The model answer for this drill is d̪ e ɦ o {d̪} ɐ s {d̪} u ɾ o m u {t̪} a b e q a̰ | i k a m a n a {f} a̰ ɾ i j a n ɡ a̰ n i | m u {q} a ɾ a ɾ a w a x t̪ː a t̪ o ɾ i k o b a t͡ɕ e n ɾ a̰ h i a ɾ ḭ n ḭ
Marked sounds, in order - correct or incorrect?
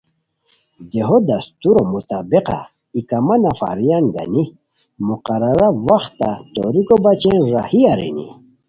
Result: correct, incorrect: t̪, correct, correct, correct

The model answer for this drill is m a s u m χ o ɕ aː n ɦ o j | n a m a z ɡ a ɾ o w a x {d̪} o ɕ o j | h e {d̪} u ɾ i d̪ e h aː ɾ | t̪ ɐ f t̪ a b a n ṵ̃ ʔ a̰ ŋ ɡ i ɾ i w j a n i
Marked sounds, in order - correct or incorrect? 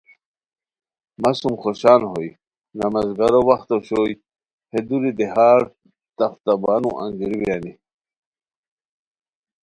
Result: incorrect: t̪, correct

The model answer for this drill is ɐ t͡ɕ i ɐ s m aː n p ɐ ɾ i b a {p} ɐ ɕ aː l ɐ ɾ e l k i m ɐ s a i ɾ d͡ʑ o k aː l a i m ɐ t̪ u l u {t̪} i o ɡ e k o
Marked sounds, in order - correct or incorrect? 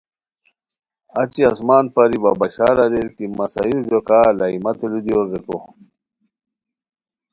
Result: incorrect: b, incorrect: d̪

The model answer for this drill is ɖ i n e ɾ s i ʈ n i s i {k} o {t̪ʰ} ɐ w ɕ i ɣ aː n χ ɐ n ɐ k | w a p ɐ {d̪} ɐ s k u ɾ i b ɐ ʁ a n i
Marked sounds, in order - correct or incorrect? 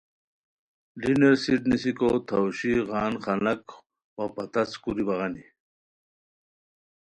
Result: correct, correct, incorrect: t̪

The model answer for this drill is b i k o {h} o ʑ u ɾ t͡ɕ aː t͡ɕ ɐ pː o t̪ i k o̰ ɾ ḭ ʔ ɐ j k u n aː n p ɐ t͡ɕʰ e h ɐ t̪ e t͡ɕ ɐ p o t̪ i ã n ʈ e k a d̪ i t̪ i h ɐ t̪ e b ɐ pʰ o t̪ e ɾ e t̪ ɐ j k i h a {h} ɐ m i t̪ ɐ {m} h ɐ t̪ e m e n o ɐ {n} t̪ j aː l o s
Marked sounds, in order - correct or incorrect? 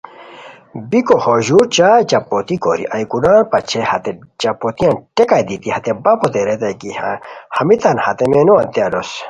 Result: correct, correct, incorrect: n, correct

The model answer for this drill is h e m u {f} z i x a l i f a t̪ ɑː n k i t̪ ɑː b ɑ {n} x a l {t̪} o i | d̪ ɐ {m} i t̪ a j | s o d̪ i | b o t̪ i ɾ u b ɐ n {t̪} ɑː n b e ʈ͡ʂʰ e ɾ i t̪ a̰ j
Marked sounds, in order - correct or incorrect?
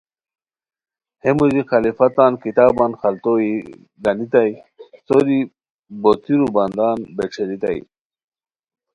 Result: incorrect: none, correct, correct, incorrect: n, incorrect: d̪

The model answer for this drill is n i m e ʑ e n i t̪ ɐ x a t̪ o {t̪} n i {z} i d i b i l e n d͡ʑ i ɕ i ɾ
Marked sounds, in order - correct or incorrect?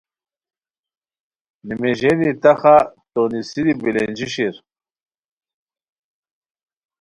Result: incorrect: none, incorrect: s

